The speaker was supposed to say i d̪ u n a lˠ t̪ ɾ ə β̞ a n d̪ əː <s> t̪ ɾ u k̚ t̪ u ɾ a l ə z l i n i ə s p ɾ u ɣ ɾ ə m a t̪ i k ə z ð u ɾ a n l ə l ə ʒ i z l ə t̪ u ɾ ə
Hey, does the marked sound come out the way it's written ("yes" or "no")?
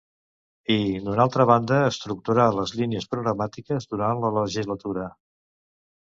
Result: yes